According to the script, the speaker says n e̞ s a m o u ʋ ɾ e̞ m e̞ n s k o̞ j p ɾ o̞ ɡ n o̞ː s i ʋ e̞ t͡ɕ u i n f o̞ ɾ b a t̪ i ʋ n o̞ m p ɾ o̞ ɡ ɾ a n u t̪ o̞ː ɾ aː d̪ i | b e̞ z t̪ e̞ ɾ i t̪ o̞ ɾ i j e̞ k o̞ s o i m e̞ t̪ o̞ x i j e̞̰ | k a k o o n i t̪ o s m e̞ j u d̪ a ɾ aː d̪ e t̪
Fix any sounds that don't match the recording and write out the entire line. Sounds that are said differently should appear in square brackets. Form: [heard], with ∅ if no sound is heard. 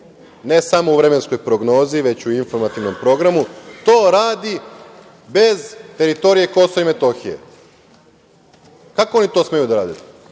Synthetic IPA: n e̞ s a m o u ʋ ɾ e̞ m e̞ n s k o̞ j p ɾ o̞ ɡ n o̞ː [z] i ʋ e̞ t͡ɕ u i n f o̞ ɾ [m] a t̪ i ʋ n o̞ m p ɾ o̞ ɡ ɾ a [m] u t̪ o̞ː ɾ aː d̪ i | b e̞ z t̪ e̞ ɾ i t̪ o̞ ɾ i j e̞ k o̞ s o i m e̞ t̪ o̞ x i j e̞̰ | k a k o o n i t̪ o s m e̞ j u d̪ a ɾ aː d̪ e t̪

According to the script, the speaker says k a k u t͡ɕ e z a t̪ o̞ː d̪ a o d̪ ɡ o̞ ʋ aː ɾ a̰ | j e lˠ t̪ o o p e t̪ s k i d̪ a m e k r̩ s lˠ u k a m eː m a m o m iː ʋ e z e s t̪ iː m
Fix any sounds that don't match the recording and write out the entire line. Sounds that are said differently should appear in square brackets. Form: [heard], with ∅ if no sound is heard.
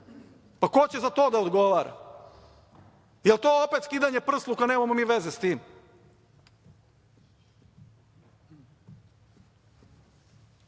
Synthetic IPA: [p] a k [o] t͡ɕ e z a t̪ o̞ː d̪ a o d̪ ɡ o̞ ʋ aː ɾ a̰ | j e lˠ t̪ o o p e t̪ s k i d̪ a [ɲ] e [p] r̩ s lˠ u k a [n] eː m a m o m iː ʋ e z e s t̪ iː m

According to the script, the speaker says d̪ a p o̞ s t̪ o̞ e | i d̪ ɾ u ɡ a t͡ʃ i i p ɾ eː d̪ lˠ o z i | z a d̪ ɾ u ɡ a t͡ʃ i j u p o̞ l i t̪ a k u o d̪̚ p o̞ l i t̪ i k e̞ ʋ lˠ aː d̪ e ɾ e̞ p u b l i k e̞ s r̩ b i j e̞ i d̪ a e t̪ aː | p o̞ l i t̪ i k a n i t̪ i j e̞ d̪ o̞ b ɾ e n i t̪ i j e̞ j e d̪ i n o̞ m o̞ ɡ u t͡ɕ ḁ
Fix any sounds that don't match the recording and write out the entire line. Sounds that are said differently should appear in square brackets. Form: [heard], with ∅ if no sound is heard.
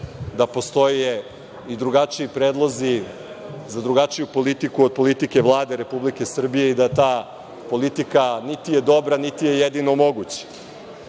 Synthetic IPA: d̪ a p o̞ s t̪ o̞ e | i d̪ ɾ u ɡ a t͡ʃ i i p ɾ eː d̪ lˠ o z i | z a d̪ ɾ u ɡ a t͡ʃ i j u p o̞ l i t̪ [i] k u o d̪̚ p o̞ l i t̪ i k e̞ ʋ lˠ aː d̪ e ɾ e̞ p u b l i k e̞ s r̩ b i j e̞ i d̪ a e t̪ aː | p o̞ l i t̪ i k a n i t̪ i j e̞ d̪ o̞ b ɾ [a] n i t̪ i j e̞ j e d̪ i n o̞ m o̞ ɡ u t͡ɕ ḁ

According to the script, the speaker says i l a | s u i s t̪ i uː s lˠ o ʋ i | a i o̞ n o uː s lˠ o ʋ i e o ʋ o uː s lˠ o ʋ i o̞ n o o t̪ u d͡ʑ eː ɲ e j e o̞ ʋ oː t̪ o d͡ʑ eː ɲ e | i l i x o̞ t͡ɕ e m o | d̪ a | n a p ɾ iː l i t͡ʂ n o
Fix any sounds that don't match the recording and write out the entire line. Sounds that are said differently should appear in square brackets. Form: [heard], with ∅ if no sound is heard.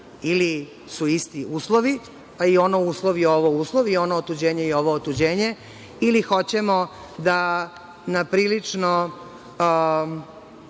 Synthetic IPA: i l [i] | s u i s t̪ i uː s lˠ o ʋ i | a i o̞ n o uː s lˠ o ʋ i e o ʋ o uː s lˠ o ʋ i o̞ n o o t̪ u d͡ʑ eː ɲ e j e o̞ ʋ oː t̪ [u] d͡ʑ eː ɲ e | i l i x o̞ t͡ɕ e m o | d̪ a | n a p ɾ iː l i t͡ʂ n o

